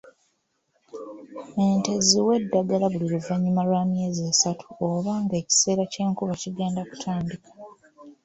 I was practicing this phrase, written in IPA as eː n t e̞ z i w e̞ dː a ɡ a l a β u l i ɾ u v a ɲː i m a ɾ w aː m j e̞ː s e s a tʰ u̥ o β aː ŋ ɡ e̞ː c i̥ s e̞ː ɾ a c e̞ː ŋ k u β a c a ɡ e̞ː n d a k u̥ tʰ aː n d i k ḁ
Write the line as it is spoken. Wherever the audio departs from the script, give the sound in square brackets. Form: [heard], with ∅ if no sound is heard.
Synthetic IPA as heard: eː n t e̞ z i w e̞ dː a ɡ a l a β u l i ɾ u v a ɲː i m a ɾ w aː m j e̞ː [z] e s a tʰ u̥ o β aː ŋ ɡ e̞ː c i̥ s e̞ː ɾ a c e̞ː ŋ k u β a c [i] ɡ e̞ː n d a k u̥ tʰ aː n d i k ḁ

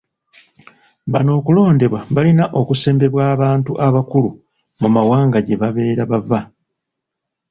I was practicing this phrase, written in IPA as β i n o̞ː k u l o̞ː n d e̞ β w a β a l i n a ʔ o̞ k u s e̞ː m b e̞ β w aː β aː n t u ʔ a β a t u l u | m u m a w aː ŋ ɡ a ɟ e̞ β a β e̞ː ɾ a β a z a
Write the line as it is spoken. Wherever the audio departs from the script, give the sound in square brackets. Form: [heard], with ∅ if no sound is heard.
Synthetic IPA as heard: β [a] n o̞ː k u l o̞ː n d e̞ β w a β a l i n a ʔ o̞ k u s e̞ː m b e̞ β w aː β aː n t u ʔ a β a [k] u l u | m u m a w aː ŋ ɡ a ɟ e̞ β a β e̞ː ɾ a β a [v] a

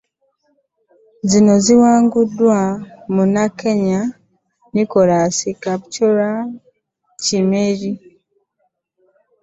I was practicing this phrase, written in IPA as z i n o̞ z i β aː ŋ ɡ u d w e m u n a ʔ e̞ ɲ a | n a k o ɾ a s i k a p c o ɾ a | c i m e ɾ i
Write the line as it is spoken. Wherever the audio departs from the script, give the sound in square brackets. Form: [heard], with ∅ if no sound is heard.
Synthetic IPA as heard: z i n o̞ z i [w] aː ŋ ɡ u d w [a] m u n a [k] e̞ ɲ a | n [i] k o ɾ a s i k a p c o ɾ a | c i m e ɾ i

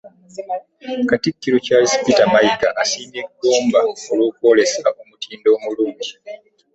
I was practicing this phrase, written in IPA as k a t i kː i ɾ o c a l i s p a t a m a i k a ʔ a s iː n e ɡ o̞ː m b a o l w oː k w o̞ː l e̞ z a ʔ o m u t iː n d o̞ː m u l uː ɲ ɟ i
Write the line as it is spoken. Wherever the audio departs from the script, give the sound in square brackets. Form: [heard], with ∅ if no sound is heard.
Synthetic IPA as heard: k a t i kː i ɾ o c a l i s p [i] t a m a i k a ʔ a s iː n e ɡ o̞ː m b a o l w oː k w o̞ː l e̞ [s] a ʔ o m u t iː n d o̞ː m u l uː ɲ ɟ i

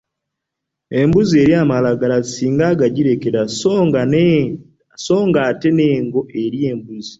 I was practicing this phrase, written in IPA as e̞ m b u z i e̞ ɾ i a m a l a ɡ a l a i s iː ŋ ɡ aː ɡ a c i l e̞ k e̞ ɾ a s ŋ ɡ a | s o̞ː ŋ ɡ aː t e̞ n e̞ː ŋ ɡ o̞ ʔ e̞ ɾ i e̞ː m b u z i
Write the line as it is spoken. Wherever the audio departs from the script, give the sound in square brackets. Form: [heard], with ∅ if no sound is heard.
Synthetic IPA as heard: e̞ m b u z i e̞ ɾ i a m a l a ɡ a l a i s iː ŋ ɡ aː ɡ a [ɟ] i [ɾ] e̞ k e̞ ɾ a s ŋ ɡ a | s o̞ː ŋ ɡ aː t e̞ n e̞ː ŋ ɡ o̞ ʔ e̞ ɾ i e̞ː m b u z i

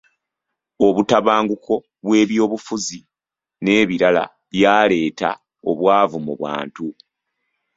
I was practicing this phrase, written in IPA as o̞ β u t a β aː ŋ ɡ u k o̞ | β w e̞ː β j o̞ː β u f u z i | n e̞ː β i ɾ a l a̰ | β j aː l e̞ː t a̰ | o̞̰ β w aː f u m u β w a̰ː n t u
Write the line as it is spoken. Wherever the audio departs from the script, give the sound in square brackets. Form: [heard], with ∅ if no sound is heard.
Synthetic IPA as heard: o̞ β u t a β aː ŋ ɡ u k o̞ | β w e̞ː β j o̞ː β u f u z i | n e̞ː β i ɾ a l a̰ | β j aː l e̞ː t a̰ | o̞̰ β w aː [v] u m u β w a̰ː n t u

